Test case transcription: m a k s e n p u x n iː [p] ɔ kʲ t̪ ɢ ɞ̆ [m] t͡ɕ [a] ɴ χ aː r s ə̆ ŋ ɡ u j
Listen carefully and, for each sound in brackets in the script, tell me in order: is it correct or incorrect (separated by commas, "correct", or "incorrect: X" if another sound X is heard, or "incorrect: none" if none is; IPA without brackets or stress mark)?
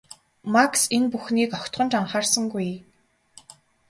incorrect: k, incorrect: n, correct